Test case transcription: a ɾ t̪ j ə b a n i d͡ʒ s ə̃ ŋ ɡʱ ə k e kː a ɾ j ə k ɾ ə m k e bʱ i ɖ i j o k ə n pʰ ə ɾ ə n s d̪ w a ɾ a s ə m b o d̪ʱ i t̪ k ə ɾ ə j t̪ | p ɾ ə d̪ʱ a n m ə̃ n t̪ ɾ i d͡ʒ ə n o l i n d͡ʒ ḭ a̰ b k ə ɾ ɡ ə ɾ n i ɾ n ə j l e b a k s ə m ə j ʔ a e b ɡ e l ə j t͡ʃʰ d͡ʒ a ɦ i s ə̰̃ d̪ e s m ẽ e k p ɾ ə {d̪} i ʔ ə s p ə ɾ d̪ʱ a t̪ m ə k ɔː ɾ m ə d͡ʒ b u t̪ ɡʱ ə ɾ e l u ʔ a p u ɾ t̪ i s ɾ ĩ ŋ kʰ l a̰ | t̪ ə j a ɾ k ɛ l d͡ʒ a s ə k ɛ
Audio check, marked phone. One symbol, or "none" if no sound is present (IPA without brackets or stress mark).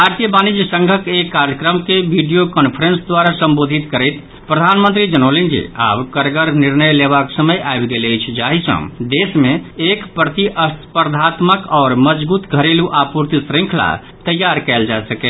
t̪